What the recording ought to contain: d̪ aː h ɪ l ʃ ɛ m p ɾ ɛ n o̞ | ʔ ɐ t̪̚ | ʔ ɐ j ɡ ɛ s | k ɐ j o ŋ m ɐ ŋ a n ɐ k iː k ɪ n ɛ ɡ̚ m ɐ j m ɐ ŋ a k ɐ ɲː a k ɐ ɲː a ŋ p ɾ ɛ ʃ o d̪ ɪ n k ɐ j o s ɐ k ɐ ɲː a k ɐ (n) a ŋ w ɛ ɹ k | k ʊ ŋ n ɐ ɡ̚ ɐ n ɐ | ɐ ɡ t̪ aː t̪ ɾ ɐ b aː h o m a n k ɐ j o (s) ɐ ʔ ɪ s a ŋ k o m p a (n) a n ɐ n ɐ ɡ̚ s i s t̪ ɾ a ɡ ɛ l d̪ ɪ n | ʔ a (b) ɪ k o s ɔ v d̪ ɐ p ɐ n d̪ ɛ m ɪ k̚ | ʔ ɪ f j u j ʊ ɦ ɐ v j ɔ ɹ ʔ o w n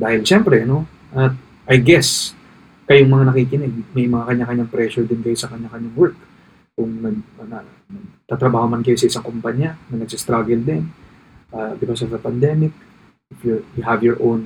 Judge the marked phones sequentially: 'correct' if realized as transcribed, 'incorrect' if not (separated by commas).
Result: incorrect, correct, incorrect, correct